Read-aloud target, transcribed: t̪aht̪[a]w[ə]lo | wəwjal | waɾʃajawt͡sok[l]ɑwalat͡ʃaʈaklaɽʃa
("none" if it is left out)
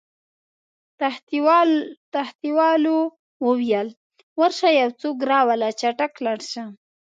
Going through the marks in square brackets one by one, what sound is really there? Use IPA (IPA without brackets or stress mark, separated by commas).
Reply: i, ɑ, ɾ